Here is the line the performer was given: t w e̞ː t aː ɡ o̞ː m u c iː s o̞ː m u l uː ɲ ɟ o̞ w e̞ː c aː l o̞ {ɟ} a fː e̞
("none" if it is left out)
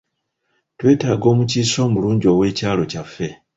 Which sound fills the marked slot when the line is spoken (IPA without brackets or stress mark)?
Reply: c